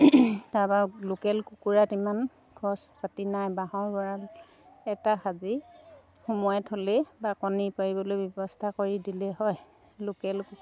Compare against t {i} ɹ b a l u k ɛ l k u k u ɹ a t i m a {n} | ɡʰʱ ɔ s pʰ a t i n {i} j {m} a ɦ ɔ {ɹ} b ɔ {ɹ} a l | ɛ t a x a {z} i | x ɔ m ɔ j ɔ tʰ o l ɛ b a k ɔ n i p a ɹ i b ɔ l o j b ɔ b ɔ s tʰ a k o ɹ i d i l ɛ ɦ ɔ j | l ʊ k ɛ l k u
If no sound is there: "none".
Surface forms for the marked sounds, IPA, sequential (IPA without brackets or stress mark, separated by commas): a, n, a, b, ɹ, ɹ, z